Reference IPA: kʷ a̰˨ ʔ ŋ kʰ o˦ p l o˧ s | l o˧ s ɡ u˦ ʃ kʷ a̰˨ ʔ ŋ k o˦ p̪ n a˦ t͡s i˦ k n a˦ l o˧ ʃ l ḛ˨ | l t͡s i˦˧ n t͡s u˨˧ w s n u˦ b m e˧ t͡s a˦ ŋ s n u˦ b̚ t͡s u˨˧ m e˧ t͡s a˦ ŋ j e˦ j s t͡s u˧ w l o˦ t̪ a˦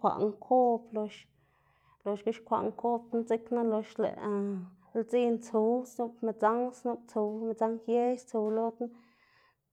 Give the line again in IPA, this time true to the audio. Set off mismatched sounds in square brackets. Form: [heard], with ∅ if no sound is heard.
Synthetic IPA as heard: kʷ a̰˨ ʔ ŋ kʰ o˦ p l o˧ [ʃ] | l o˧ [ʃ] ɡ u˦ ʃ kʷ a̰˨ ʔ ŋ k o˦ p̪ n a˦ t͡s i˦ k n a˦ l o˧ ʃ l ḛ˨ | l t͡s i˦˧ n t͡s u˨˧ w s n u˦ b m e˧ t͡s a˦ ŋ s n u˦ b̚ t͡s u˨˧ m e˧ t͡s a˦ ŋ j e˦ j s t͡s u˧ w l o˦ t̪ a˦